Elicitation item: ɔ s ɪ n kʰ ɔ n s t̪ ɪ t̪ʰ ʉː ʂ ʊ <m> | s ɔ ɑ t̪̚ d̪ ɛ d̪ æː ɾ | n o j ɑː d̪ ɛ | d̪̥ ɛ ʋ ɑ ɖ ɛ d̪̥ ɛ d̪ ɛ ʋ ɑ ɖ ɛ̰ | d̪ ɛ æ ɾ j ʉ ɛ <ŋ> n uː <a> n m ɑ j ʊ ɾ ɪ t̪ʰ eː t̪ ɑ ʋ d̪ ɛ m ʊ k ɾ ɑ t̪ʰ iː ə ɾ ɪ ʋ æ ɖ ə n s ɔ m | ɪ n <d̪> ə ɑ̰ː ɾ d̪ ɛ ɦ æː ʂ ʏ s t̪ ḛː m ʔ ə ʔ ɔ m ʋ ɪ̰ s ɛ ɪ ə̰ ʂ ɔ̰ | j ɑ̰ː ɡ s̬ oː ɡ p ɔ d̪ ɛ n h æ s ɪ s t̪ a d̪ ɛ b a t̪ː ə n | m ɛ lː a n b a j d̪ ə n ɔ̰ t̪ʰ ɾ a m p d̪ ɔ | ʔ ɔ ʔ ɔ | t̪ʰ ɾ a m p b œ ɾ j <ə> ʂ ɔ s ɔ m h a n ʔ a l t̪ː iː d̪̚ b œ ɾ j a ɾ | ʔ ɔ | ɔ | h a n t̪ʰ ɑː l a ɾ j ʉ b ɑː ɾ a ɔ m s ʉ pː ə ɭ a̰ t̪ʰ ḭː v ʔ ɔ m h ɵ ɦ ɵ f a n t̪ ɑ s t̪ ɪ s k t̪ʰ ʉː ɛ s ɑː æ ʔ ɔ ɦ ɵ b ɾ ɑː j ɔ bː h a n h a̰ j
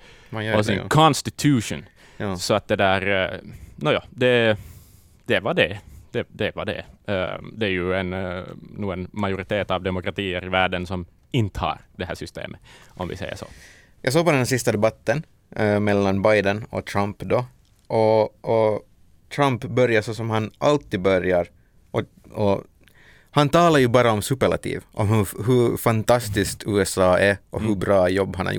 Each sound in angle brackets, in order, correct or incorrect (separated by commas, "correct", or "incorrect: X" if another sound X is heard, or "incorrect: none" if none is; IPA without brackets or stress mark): incorrect: n, incorrect: n, incorrect: ə, incorrect: t̪, incorrect: a